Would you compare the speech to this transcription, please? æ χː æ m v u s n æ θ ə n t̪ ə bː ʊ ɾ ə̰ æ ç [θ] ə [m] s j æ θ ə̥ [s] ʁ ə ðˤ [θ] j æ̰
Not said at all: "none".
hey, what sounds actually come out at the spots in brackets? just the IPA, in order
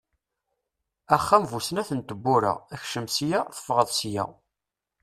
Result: ʃ, m, f, s

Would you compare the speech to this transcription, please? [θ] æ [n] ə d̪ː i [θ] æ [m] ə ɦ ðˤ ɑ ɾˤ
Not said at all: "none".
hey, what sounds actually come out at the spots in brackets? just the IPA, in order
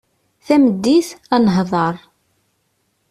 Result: θ, m, θ, n

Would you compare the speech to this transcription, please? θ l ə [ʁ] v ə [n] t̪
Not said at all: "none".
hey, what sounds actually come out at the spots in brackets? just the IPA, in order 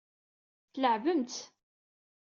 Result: ʕ, m

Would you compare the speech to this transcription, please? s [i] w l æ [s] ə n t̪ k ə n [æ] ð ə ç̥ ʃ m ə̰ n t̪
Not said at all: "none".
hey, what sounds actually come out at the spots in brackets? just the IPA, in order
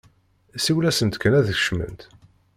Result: i, s, æ

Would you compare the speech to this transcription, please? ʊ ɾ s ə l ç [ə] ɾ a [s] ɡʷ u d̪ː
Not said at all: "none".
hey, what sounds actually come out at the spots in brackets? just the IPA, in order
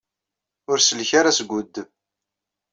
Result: a, s

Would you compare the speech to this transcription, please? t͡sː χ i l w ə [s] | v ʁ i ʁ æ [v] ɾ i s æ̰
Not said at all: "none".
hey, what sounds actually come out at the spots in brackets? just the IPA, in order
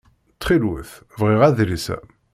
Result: θ, ð

